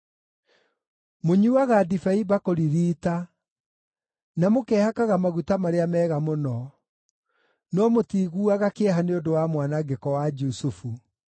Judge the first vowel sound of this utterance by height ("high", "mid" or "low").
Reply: mid